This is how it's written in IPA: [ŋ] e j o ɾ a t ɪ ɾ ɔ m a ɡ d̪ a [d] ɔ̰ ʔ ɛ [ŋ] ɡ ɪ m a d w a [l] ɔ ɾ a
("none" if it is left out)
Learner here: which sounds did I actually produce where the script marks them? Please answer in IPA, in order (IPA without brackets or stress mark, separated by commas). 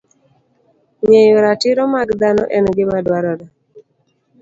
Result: ɲ, n, n, ɾ